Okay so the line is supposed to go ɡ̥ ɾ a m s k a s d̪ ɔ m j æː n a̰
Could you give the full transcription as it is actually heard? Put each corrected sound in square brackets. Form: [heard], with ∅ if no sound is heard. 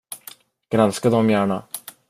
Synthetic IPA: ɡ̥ ɾ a [n] s k a [∅] d̪ ɔ m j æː [ɳ] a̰